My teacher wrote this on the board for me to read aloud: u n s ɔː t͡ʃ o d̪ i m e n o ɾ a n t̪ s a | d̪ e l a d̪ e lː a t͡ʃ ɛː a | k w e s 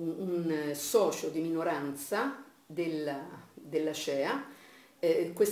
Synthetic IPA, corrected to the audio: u n s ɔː t͡ʃ o d̪ i m i n o ɾ a n t̪ s a | d̪ e l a d̪ e lː a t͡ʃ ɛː a | k w e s